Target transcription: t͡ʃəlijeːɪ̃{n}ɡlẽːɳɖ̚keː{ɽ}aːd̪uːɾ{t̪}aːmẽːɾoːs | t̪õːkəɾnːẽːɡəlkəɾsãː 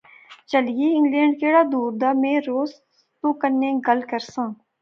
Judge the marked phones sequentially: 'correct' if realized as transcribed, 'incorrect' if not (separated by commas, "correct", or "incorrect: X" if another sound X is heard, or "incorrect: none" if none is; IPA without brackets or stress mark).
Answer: incorrect: ŋ, correct, incorrect: d̪